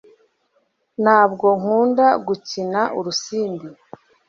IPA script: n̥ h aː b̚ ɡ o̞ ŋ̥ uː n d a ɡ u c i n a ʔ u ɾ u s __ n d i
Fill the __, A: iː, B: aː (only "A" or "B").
A